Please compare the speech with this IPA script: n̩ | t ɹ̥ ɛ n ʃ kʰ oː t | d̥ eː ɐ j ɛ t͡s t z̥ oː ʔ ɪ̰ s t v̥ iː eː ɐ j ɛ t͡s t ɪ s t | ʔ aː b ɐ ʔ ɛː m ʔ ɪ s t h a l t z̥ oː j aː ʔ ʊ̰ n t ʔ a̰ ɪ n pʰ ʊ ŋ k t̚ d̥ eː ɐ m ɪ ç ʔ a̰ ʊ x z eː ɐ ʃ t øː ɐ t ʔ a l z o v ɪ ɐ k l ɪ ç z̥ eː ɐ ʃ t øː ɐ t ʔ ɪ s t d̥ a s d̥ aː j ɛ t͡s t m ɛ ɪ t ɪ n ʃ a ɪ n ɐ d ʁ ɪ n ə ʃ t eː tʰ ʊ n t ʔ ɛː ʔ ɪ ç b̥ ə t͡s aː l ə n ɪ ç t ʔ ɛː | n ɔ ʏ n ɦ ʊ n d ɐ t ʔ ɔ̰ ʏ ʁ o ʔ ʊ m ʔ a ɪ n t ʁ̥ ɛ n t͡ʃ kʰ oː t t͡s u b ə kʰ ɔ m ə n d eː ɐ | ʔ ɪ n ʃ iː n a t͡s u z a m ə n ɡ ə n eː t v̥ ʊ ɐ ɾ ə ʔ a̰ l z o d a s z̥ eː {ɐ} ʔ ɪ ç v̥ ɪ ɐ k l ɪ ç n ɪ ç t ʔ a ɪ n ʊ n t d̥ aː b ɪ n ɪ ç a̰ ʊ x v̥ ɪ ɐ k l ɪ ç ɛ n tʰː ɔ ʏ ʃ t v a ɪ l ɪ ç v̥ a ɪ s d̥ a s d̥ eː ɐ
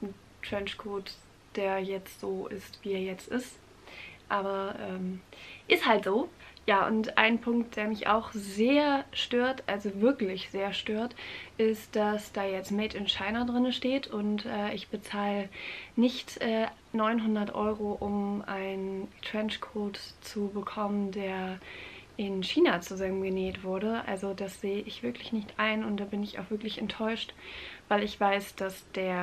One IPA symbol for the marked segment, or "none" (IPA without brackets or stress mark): ə